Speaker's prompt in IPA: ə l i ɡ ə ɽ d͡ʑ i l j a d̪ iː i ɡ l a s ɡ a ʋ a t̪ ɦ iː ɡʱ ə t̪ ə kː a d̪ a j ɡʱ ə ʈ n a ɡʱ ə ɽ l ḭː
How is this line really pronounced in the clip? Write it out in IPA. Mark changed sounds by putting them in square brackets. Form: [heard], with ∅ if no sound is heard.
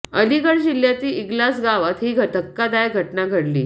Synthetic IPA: ə l i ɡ ə ɽ d͡ʑ i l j a [t̪] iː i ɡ l a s ɡ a ʋ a t̪ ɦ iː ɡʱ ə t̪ ə kː a d̪ a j ɡʱ ə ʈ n a ɡʱ ə ɽ l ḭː